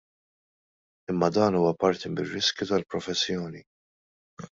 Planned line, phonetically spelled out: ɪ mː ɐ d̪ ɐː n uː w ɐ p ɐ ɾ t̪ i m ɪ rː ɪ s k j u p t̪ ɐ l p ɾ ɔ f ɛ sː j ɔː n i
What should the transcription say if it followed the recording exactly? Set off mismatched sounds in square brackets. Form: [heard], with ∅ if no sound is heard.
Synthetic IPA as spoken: ɪ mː ɐ d̪ ɐː n uː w ɐ p ɐ ɾ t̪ i m ɪ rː ɪ s k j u [∅] t̪ ɐ l p ɾ ɔ f ɛ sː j ɔː n i

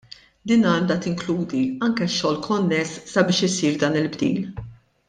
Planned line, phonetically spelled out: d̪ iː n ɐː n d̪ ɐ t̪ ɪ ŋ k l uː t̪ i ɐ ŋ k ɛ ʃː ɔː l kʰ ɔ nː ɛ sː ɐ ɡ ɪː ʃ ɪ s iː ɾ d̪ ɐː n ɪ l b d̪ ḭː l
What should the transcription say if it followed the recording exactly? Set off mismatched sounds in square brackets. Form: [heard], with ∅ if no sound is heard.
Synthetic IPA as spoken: d̪ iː n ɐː n d̪ ɐ t̪ ɪ ŋ k l uː [d̪] i ɐ ŋ k ɛ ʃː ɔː l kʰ ɔ nː ɛ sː ɐ [b] ɪː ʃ ɪ s iː ɾ d̪ ɐː n ɪ l b d̪ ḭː l

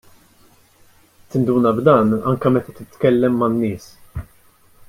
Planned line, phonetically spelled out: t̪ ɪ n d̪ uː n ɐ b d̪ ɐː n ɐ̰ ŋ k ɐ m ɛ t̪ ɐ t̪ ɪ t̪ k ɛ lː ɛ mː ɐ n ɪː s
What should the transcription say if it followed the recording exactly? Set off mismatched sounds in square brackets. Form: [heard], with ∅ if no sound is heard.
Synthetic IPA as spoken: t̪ ɪ n d̪ uː n ɐ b d̪ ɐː n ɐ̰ ŋ k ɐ m ɛ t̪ ɐ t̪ ɪ t̪ k ɛ lː ɛ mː ɐ [nː] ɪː s

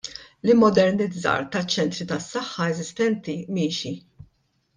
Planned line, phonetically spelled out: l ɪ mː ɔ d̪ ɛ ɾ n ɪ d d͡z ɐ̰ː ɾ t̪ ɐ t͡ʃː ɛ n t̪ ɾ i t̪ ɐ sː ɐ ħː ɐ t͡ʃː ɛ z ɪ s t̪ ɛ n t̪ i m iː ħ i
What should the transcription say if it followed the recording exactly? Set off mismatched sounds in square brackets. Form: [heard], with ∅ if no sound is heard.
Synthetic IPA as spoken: l ɪ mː ɔ d̪ ɛ ɾ n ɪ d d͡z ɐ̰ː ɾ t̪ ɐ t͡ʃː ɛ n t̪ ɾ i t̪ ɐ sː ɐ ħː ɐ [∅] ɛ z ɪ s t̪ ɛ n t̪ i m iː [ʃ] i

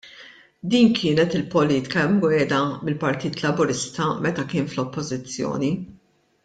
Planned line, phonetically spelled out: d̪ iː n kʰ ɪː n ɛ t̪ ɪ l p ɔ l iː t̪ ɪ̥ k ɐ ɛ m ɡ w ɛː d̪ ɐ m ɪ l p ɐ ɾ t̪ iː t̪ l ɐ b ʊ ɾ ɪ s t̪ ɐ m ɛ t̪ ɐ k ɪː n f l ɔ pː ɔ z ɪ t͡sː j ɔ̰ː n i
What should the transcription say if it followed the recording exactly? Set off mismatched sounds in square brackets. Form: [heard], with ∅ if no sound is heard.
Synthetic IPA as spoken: d̪ iː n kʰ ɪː n ɛ t̪ ɪ l p ɔ l iː t̪ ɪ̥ k ɐ ɛ m ɡ w ɛː d̪ ɐ m ɪ l p ɐ ɾ t̪ iː t̪ l ɐ b ʊ ɾ ɪ s t̪ ɐ m ɛ t̪ ɐ k ɪː n f l ɔ pː ɔ z ɪ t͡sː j ɔ̰ː n i

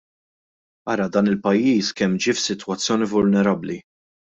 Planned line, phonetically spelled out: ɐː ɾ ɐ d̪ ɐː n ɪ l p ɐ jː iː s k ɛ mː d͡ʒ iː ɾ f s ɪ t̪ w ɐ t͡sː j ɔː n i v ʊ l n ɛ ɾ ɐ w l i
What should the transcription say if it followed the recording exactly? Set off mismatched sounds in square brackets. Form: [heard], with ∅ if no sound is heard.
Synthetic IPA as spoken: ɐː ɾ ɐ d̪ ɐː n ɪ l p ɐ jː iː s k ɛ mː d͡ʒ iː [∅] f s ɪ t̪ w ɐ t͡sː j ɔː n i v ʊ l n ɛ ɾ ɐ [b] l i

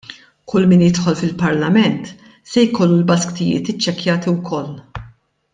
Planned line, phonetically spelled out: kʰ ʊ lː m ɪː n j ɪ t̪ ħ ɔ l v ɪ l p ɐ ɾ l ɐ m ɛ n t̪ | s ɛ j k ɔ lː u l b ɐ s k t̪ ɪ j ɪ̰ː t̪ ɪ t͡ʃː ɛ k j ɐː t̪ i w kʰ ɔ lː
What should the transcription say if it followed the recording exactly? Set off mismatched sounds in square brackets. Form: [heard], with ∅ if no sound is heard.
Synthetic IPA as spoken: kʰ ʊ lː m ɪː n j ɪ t̪ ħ ɔ l [f] ɪ l p ɐ ɾ l ɐ m ɛ n t̪ | s ɛ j k ɔ lː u l b ɐ s k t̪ ɪ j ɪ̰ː t̪ ɪ t͡ʃː ɛ k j ɐː t̪ i w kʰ ɔ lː

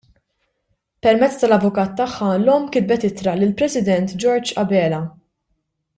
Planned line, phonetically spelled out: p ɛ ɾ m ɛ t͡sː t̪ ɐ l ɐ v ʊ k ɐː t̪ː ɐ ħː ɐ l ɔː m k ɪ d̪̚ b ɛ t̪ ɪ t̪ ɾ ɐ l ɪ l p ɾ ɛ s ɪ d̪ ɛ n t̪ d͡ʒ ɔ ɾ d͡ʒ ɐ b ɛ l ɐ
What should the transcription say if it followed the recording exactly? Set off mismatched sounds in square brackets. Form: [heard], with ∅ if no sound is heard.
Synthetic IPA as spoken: p ɛ ɾ m ɛ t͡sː t̪ ɐ l ɐ v ʊ k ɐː t̪ː ɐ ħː ɐ l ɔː m k ɪ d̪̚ b ɛ t̪ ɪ t̪ ɾ ɐ l ɪ l p ɾ ɛ s ɪ d̪ ɛ n t̪ d͡ʒ ɔ ɾ d͡ʒ ɐ b [ɛː] l ɐ

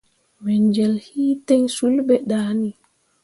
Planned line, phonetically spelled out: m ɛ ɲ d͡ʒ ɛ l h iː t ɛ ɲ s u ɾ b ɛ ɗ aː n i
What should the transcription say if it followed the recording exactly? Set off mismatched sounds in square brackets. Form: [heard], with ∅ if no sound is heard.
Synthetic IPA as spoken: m ɛ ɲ d͡ʒ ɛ l h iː t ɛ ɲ s u [l] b ɛ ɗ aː n i

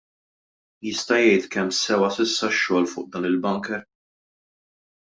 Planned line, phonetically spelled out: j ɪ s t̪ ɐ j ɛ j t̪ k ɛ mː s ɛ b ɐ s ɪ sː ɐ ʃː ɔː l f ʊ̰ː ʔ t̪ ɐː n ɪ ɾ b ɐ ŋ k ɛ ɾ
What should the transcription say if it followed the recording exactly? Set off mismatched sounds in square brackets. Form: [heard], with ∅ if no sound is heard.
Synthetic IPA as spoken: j ɪ s t̪ ɐ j ɛ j t̪ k ɛ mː s ɛ [w] ɐ s ɪ sː ɐ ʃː ɔː l f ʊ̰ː ʔ [d̪] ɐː n ɪ [l] b ɐ ŋ k ɛ ɾ

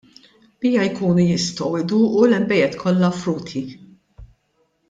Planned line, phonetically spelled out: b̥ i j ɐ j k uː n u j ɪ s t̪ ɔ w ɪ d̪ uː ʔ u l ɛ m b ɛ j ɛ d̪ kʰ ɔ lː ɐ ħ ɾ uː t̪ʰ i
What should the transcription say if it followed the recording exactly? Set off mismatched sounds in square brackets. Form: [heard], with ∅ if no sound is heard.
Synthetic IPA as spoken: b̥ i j ɐ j k uː n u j ɪ s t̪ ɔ w ɪ d̪ uː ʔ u l ɛ m b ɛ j ɛ [t̪] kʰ ɔ lː ɐ [f] ɾ uː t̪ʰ i

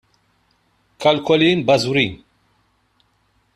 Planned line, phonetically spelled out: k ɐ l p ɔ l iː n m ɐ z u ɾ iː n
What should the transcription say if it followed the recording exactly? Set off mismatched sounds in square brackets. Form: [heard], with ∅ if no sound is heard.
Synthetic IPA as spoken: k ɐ l [k] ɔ l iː n [b] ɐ z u ɾ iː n

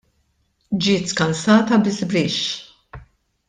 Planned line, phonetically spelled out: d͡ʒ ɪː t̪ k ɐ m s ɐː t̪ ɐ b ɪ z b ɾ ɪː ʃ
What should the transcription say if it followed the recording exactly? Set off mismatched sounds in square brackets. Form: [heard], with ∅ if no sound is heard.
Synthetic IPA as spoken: d͡ʒ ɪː t̪ k ɐ [n] s ɐː t̪ ɐ b ɪ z b ɾ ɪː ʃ

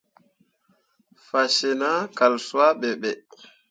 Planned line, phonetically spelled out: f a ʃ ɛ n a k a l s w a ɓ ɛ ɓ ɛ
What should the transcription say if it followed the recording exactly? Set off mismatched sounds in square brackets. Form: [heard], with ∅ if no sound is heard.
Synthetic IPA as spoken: f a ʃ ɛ n a k a l s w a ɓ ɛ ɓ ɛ

